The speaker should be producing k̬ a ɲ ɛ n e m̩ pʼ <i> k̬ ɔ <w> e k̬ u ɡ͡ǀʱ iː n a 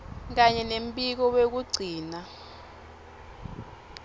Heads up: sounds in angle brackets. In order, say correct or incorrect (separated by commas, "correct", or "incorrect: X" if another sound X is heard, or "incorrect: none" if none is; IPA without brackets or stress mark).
correct, correct